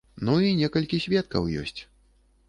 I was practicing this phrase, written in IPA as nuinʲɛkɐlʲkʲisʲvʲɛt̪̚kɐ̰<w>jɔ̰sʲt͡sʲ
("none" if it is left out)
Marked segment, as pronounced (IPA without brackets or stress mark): w